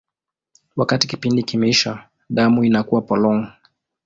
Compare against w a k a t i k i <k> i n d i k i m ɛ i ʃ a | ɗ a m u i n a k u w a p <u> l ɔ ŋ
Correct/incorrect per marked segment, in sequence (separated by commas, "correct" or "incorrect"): incorrect, incorrect